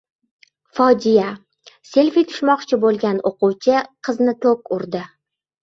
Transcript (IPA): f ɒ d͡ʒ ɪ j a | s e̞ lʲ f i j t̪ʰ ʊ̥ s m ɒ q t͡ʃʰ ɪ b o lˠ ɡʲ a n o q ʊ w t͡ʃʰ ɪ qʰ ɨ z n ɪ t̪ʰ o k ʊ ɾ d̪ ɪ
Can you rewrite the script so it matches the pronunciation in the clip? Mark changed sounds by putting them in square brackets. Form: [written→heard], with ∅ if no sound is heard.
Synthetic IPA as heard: f ɒ d͡ʒ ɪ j a | s e̞ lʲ f i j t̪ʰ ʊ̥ [s→ʃ] m ɒ q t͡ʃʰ ɪ b o lˠ ɡʲ a n o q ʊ w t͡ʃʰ ɪ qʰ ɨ z n ɪ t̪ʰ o k ʊ ɾ d̪ ɪ